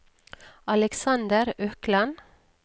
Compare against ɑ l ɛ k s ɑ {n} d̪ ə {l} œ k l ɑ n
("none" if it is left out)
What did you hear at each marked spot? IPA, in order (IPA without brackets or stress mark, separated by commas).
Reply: n, ɾ